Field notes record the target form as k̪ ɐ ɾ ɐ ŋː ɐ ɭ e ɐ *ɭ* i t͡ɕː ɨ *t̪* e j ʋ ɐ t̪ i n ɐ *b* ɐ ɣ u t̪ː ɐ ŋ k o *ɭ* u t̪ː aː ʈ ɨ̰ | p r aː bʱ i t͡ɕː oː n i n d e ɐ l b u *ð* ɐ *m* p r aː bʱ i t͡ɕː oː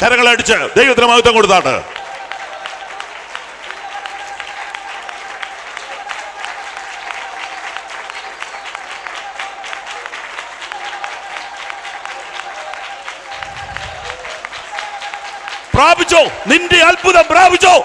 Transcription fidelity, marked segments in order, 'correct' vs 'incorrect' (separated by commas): incorrect, incorrect, incorrect, incorrect, correct, correct